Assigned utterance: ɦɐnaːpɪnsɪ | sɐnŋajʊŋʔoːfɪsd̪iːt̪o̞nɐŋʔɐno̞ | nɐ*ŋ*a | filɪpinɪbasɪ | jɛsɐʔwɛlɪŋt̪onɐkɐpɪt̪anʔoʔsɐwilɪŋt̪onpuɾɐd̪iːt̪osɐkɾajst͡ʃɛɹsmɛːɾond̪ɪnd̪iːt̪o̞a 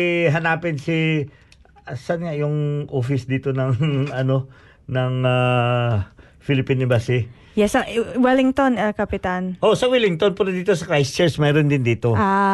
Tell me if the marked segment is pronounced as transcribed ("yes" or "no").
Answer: yes